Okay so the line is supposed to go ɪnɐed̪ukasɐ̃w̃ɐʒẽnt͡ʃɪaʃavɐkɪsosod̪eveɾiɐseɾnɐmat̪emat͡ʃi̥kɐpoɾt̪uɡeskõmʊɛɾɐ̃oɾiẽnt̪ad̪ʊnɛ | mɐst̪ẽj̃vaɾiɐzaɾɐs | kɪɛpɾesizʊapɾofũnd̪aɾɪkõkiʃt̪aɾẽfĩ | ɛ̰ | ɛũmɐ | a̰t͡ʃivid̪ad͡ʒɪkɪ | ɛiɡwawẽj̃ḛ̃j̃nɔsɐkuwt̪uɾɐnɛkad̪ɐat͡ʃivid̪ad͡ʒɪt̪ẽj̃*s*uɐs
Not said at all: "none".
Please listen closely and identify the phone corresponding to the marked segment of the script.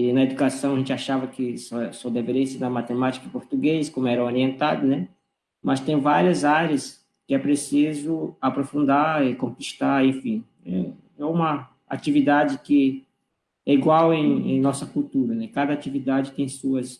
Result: s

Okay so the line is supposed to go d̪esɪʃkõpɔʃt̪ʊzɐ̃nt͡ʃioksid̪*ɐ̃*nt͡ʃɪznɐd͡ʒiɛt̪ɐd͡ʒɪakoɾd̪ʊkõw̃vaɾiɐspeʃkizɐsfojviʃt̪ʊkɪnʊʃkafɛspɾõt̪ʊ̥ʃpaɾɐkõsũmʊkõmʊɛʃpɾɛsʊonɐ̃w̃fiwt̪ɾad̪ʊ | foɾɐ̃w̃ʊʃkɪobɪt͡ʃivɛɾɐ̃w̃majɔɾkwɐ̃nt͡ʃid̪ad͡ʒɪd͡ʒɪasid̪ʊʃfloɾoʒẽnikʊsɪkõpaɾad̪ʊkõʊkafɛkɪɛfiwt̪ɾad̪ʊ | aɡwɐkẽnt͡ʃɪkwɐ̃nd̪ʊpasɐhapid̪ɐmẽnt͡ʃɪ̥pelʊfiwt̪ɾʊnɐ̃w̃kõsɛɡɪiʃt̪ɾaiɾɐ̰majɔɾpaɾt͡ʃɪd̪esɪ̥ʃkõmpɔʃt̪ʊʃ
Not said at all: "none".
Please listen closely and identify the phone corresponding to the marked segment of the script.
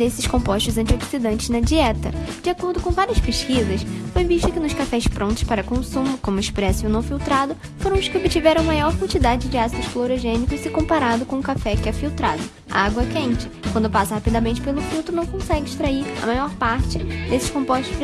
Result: ɐ̃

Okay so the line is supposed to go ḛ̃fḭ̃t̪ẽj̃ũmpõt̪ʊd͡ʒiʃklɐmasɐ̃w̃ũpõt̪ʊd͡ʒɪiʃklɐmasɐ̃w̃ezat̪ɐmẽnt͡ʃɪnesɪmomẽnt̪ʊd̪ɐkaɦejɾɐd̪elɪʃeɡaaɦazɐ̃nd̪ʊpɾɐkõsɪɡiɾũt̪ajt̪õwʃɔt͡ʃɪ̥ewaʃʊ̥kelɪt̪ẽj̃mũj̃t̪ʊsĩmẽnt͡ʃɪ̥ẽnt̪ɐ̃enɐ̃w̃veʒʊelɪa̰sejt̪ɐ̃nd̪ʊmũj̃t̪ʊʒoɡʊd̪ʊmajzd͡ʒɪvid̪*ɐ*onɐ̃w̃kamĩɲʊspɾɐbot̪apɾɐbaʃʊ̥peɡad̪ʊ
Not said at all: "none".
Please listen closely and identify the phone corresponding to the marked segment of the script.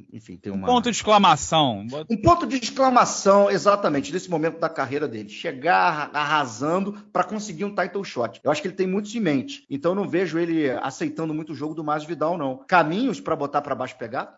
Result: a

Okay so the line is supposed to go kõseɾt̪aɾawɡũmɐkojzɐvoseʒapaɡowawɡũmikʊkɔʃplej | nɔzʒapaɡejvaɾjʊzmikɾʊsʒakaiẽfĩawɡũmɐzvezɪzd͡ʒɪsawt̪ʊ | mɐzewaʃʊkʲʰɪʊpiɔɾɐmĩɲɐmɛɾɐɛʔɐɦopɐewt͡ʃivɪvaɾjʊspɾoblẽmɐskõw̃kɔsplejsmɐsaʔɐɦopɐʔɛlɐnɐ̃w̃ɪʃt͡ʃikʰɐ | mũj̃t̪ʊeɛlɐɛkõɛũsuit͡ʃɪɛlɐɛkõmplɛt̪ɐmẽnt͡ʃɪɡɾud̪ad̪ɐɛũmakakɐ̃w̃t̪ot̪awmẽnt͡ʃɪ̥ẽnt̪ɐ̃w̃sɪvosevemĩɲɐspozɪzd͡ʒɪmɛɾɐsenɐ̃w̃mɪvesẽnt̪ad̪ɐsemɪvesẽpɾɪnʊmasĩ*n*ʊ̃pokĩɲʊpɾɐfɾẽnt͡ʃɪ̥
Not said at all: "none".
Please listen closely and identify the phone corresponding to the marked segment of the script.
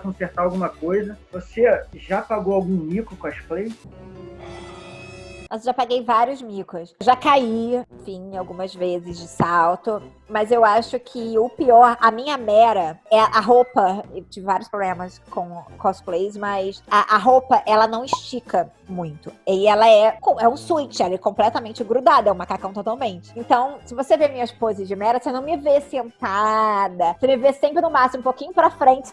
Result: m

